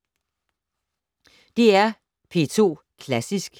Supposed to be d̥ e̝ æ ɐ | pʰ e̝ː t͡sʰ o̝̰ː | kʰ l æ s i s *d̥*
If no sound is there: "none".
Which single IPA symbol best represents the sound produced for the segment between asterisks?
ɡ̥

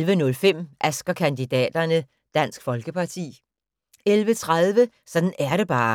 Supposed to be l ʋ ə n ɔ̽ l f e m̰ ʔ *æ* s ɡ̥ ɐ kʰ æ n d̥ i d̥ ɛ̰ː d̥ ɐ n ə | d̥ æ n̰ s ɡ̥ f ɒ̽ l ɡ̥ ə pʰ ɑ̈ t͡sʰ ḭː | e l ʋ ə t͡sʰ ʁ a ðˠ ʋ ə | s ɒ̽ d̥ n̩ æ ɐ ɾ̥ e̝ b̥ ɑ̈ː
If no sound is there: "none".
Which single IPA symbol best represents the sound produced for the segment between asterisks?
æ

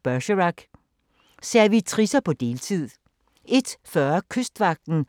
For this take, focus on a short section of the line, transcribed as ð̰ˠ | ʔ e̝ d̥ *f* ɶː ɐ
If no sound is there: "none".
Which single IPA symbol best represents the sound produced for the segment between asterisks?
f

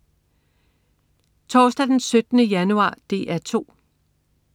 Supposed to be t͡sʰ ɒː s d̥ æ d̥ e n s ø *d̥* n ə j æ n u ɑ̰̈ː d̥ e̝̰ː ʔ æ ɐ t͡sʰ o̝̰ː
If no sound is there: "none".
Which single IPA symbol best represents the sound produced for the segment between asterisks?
d̥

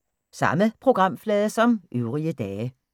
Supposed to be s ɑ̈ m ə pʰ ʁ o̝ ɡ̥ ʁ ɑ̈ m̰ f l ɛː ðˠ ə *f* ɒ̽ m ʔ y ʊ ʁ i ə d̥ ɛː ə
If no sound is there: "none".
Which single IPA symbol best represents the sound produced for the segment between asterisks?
s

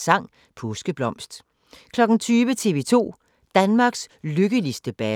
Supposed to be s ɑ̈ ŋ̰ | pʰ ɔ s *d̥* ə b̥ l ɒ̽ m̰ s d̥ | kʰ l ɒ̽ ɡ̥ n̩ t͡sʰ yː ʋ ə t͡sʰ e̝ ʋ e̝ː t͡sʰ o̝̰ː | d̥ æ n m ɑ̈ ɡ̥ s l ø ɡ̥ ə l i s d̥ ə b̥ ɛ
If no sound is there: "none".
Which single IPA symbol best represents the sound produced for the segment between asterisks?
ɡ̥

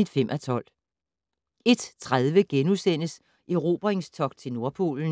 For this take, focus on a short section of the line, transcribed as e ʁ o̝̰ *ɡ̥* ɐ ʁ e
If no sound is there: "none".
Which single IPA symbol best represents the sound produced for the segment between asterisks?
b̥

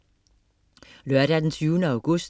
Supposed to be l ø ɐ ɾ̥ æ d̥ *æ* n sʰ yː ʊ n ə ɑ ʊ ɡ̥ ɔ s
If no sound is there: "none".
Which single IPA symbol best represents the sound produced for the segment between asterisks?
e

